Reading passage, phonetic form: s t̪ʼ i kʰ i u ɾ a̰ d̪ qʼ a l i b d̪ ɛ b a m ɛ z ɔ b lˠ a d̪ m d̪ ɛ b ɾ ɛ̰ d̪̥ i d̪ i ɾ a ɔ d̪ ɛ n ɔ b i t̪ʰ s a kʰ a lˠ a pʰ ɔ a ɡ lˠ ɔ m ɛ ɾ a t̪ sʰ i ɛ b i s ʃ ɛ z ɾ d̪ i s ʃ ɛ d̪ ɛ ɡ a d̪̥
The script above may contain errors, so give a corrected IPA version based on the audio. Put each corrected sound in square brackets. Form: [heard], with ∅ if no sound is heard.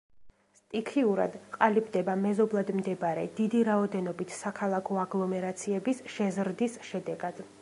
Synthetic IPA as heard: s t̪ʼ i kʰ i u ɾ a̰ d̪ qʼ a l i b d̪ ɛ b a m ɛ z ɔ b lˠ a d̪ m d̪ ɛ b ɾ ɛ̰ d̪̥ i d̪ i ɾ a ɔ d̪ ɛ n ɔ b i t̪ʰ s a kʰ a lˠ a [kʰ] ɔ a ɡ lˠ ɔ m ɛ ɾ a t̪ sʰ i ɛ b i s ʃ ɛ z ɾ d̪ i s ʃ ɛ d̪ ɛ ɡ a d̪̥